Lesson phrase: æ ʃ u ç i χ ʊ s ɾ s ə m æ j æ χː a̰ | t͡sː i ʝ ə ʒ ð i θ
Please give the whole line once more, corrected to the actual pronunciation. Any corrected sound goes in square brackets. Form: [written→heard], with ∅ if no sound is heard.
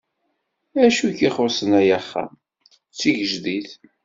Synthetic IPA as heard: æ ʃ u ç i χ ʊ [s→∅] ɾ s ə [m→n] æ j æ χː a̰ | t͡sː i ʝ ə ʒ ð i θ